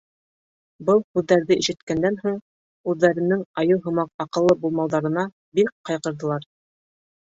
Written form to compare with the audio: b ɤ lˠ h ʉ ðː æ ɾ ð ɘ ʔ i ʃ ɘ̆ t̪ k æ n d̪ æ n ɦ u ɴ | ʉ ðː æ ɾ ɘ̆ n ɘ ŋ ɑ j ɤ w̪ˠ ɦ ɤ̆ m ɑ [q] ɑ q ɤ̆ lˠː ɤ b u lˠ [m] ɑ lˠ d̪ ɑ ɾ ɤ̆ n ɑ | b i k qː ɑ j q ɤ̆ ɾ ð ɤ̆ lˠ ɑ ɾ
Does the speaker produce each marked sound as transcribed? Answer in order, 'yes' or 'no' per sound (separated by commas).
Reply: yes, yes